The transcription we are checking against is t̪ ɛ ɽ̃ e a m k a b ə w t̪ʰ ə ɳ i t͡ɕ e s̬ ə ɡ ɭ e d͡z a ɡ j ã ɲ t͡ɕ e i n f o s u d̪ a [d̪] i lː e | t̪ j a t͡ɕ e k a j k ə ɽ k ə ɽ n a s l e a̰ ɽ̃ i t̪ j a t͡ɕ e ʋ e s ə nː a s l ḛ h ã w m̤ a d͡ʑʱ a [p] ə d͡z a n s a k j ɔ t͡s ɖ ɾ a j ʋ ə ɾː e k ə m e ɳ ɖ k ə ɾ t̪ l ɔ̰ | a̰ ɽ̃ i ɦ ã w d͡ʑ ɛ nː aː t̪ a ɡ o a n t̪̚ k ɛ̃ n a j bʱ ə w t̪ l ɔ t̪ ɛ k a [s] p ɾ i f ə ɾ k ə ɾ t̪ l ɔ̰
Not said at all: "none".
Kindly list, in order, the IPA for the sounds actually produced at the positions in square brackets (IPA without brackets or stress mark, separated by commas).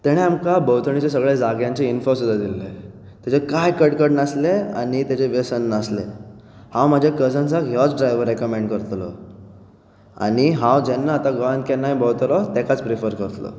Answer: d̪, k, t͡s